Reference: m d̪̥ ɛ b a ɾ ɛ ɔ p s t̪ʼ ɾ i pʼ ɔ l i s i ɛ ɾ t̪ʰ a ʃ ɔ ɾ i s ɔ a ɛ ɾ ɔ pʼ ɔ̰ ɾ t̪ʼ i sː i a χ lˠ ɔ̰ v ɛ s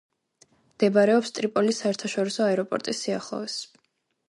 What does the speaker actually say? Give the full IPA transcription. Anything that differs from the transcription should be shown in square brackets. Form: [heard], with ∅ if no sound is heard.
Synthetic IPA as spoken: m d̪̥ ɛ b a ɾ ɛ ɔ p s t̪ʼ ɾ i pʼ ɔ l i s [a] ɛ ɾ t̪ʰ a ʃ ɔ ɾ i s ɔ a ɛ ɾ ɔ pʼ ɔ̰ ɾ t̪ʼ i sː i a χ lˠ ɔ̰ v ɛ s